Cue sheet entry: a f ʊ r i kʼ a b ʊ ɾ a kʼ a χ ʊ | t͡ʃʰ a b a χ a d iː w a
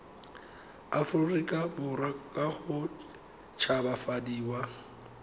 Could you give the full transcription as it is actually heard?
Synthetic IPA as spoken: a f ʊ r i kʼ a b ʊ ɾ a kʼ a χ ʊ | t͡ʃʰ a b a f a d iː w a